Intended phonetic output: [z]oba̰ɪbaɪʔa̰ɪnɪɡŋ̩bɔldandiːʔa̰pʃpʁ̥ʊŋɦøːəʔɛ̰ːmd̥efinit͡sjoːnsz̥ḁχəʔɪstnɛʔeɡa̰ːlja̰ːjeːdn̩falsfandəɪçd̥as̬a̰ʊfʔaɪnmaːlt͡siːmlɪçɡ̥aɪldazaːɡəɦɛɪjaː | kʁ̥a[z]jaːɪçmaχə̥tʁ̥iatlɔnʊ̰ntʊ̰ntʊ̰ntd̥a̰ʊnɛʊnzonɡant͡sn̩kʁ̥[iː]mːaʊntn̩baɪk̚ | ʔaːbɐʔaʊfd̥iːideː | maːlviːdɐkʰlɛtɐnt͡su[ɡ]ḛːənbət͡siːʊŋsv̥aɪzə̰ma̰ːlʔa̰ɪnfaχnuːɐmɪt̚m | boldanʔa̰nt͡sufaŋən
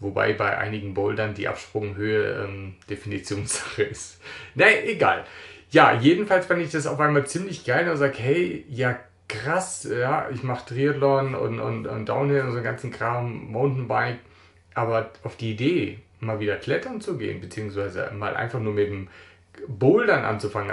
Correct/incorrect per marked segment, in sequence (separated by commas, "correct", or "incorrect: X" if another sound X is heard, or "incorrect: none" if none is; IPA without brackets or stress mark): incorrect: v, incorrect: s, incorrect: aː, correct